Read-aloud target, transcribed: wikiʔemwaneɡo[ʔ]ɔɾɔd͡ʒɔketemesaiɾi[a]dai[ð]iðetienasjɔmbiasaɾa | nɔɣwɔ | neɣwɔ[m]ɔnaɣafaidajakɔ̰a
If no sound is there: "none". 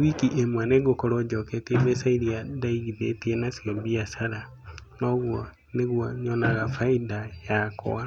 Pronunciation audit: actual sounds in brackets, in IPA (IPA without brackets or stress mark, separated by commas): k, a, ɣ, ɲ